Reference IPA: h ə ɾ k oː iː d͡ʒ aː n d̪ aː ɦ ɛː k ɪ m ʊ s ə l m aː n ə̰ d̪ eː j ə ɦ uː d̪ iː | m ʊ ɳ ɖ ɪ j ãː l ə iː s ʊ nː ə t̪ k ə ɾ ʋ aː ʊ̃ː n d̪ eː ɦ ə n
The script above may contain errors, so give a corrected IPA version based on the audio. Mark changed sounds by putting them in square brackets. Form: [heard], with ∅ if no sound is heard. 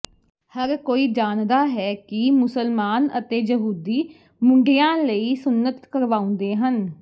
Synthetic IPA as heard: h ə ɾ k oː iː d͡ʒ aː n d̪ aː ɦ ɛː k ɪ m ʊ s ə l m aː n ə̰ [t̪] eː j ə ɦ uː d̪ iː | m ʊ ɳ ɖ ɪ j ãː l ə iː s ʊ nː ə t̪ k ə ɾ ʋ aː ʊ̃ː n d̪ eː ɦ ə n